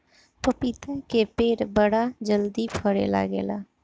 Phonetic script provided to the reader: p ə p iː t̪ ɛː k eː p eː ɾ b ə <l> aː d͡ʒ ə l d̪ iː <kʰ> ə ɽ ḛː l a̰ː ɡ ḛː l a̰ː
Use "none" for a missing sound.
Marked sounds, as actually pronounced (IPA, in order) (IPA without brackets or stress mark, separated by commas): ɽ, pʰ